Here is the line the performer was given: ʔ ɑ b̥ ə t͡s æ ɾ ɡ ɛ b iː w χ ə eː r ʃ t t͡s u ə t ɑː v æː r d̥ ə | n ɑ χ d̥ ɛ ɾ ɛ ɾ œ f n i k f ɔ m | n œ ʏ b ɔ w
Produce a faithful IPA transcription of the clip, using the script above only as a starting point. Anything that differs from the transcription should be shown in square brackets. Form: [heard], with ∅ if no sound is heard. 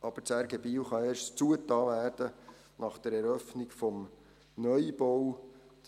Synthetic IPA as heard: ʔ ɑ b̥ ə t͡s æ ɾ ɡ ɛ b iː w χ [ɑ] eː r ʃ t t͡s u ə t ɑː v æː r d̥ ə | n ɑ χ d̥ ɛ ɾ ɛ ɾ œ f n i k f ɔ m | n œ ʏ b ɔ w